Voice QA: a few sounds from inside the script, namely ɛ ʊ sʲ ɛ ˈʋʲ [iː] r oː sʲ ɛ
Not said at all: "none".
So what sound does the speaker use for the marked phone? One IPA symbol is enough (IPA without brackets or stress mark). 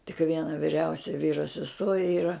iː